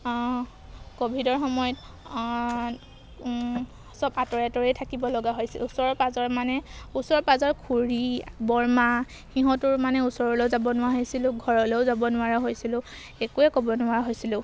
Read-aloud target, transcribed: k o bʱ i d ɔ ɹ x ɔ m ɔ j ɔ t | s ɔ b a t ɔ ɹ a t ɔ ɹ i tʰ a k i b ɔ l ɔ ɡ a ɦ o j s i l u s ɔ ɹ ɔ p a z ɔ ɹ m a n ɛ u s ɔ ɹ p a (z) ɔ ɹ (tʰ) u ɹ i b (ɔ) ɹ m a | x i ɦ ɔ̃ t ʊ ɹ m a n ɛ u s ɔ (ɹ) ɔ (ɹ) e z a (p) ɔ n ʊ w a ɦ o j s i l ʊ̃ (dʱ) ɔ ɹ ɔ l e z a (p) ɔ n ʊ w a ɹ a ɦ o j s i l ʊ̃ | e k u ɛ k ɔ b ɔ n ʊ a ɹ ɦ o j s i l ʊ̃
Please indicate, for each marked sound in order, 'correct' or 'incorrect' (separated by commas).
correct, incorrect, correct, correct, incorrect, incorrect, incorrect, incorrect